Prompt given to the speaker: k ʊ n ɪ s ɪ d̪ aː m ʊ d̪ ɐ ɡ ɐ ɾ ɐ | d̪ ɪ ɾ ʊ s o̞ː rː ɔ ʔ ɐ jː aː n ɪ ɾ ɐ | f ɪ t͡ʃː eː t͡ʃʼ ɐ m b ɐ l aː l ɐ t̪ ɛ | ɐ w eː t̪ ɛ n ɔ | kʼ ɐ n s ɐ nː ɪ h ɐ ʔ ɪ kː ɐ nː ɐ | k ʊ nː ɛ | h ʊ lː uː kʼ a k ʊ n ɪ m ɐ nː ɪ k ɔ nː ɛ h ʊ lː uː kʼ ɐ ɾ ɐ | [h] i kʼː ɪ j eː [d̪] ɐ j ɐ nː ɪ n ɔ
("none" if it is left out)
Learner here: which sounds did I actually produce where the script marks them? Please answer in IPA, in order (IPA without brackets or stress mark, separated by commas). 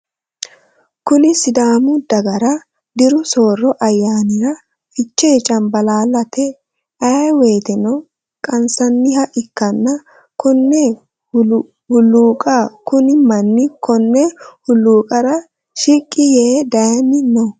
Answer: ʃ, d̪